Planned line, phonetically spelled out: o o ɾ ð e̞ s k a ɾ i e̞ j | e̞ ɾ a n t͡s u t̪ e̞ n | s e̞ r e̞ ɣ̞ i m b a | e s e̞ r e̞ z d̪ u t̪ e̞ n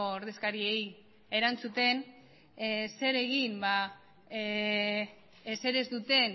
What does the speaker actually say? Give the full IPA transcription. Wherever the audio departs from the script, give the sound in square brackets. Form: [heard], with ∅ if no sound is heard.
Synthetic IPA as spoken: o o ɾ ð e̞ s k a ɾ i e̞ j | e̞ ɾ a n t͡s u t̪ e̞ n | s e̞ [ɾ] e̞ ɣ̞ i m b a | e s e̞ [ɾ] e̞ z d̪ u t̪ e̞ n